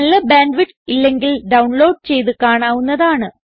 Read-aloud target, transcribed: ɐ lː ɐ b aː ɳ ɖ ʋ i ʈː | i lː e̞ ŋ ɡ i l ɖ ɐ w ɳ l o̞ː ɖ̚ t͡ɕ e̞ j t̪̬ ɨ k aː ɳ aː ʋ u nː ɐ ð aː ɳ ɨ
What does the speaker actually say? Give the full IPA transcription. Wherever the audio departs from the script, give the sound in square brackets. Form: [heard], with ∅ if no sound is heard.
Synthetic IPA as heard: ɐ lː ɐ b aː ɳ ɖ ʋ i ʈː | i lː e̞ ŋ ɡ i l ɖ ɐ w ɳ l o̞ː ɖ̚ t͡ɕ e̞ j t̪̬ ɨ k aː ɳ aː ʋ u nː ɐ ð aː ɳ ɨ

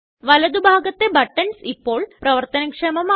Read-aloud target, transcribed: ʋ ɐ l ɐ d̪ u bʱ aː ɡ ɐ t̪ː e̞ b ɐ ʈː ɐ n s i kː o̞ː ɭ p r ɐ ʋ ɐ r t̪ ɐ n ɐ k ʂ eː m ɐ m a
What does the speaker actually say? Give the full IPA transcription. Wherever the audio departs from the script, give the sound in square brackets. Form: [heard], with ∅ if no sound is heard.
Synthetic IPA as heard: ʋ ɐ l ɐ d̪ u bʱ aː ɡ ɐ t̪ː e̞ b ɐ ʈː ɐ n s i [pː] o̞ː ɭ p r ɐ ʋ ɐ r t̪ ɐ n ɐ k ʂ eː m ɐ m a

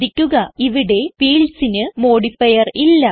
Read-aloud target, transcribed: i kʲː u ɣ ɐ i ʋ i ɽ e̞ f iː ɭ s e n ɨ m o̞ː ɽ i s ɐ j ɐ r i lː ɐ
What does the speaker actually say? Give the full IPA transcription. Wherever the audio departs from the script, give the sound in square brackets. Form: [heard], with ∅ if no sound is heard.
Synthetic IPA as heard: i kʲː u ɣ ɐ i ʋ i ɽ e̞ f iː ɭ s [i] n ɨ m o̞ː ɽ i [f] ɐ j ɐ r i lː ɐ

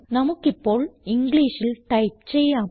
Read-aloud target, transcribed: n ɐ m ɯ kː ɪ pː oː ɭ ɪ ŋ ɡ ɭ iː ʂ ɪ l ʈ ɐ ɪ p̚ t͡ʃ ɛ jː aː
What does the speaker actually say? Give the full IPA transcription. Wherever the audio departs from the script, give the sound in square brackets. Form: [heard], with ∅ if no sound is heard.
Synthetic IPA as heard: n ɐ m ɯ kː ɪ pː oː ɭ ɪ ŋ ɡ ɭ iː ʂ ɪ l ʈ ɐ ɪ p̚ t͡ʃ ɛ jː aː

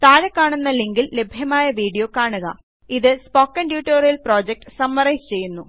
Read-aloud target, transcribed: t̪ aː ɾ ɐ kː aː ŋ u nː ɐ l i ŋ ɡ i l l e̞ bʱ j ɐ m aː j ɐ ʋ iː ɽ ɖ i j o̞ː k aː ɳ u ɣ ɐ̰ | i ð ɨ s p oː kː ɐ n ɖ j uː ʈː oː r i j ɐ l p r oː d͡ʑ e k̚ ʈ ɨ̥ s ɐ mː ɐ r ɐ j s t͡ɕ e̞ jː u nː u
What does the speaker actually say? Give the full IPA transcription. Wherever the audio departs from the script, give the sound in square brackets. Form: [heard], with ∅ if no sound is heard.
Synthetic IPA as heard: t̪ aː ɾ ɐ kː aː [ɳ] u nː ɐ l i ŋ ɡ i l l e̞ bʱ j ɐ m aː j ɐ ʋ iː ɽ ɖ i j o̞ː k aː ɳ u ɣ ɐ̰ | i ð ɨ s p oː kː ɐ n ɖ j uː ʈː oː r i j ɐ l p r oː d͡ʑ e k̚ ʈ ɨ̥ s ɐ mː ɐ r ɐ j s t͡ɕ e̞ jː u nː u

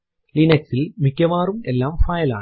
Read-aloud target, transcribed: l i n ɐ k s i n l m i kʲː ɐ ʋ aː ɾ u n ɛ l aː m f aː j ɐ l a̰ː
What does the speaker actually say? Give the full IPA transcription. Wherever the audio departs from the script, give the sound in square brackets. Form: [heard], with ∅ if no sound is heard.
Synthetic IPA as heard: l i n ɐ k s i [∅] l m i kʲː ɐ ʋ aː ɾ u [m] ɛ [lː] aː m f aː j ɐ l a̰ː

